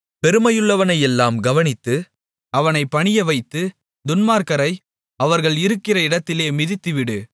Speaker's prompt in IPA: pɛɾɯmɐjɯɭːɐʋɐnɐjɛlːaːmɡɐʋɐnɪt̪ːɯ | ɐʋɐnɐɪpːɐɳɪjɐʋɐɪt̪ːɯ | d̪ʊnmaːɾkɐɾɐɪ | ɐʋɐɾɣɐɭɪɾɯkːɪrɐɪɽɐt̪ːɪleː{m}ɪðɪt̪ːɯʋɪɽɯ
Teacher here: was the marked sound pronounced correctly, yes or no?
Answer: yes